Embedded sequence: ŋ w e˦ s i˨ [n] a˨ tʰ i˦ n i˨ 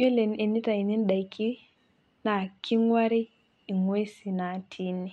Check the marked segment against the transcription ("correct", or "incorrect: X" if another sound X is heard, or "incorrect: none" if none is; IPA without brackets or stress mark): correct